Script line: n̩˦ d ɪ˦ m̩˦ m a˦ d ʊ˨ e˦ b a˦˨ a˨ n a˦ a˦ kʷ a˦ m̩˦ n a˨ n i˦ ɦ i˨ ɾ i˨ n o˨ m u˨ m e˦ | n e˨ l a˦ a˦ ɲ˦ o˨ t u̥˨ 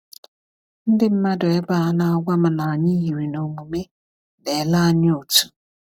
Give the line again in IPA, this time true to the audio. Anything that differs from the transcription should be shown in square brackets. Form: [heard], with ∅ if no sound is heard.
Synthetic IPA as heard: n̩˦ d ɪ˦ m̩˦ m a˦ d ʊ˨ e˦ b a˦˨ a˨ n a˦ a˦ [ɡʷ] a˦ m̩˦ n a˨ [ɲ] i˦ ɦ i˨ ɾ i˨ n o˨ m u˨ m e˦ | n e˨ l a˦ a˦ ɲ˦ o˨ t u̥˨